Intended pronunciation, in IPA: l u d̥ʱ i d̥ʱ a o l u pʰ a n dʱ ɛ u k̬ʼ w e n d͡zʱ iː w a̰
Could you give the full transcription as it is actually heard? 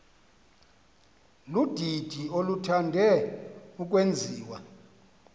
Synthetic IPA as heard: l u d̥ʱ i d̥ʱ i o l u tʰ a n dʱ ɛ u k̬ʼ w e n d͡zʱ iː w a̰